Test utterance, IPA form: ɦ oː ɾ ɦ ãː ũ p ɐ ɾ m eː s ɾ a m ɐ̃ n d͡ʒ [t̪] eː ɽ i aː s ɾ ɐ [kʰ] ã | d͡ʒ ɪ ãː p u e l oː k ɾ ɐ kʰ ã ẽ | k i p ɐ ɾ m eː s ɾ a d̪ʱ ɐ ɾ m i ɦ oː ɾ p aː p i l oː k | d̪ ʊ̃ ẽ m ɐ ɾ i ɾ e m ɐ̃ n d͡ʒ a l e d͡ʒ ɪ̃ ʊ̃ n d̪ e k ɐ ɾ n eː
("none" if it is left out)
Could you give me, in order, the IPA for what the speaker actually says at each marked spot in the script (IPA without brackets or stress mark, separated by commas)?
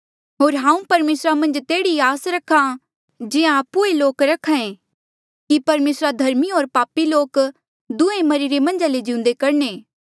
t̪, kʰ